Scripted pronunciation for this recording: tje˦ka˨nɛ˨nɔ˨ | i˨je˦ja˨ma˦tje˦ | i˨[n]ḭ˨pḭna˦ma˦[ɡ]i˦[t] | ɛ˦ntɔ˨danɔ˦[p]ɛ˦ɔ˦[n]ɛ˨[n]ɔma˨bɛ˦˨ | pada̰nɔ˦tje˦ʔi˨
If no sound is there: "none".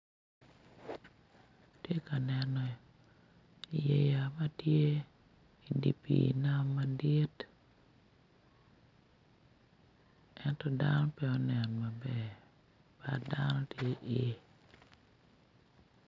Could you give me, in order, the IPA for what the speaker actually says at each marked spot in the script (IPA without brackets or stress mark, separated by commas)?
d, d, t, p, n, n